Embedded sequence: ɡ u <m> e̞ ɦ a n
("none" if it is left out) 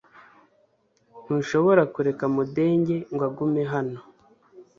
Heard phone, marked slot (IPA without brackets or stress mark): m